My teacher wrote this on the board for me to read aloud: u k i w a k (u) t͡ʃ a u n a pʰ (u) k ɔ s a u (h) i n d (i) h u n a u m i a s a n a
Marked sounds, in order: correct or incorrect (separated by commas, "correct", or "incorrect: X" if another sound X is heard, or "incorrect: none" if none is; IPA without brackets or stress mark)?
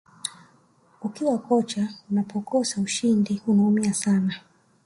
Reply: incorrect: ɔ, incorrect: ɔ, incorrect: ʃ, correct